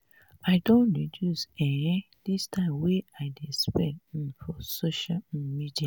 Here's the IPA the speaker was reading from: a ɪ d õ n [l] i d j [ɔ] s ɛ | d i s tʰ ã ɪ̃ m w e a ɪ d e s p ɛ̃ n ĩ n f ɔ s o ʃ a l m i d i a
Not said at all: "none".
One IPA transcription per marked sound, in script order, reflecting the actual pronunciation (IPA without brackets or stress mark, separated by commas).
ɹ, u